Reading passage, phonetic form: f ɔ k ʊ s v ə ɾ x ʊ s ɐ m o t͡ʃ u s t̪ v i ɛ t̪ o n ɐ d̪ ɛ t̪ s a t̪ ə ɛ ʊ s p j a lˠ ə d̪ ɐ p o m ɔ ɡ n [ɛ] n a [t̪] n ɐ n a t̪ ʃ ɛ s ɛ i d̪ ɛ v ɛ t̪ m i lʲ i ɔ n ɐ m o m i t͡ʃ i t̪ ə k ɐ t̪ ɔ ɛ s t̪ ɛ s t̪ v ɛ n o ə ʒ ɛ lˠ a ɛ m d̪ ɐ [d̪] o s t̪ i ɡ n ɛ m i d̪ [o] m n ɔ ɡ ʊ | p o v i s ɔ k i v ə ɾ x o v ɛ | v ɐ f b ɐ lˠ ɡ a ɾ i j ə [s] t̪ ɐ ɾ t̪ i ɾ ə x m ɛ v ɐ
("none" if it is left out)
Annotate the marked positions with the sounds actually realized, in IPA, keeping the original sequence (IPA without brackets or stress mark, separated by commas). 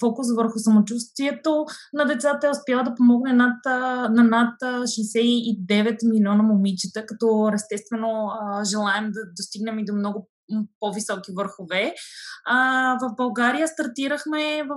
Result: ɛ, t̪, d̪, o, s